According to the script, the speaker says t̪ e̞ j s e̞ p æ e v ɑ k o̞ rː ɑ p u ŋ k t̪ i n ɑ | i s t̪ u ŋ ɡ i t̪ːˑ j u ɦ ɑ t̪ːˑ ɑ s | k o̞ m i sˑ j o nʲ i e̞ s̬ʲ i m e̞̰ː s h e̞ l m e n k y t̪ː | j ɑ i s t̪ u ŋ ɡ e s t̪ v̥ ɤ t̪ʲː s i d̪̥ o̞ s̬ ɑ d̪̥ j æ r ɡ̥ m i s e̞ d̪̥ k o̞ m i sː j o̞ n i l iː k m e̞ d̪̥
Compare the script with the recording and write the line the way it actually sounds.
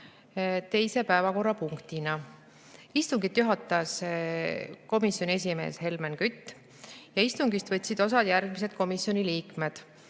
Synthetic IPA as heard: t̪ e̞ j s e̞ p æ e v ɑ k o̞ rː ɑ p u ŋ k t̪ i n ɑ | i s t̪ u ŋ ɡ i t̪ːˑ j u ɦ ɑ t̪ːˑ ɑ s | k o̞ m i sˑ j o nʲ i e̞ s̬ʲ i m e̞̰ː s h e̞ l m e n k y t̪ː | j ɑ i s t̪ u ŋ ɡ i s t̪ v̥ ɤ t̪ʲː s i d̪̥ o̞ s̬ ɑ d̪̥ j æ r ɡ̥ m i s e̞ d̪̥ k o̞ m i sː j o̞ n i l iː k m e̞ d̪̥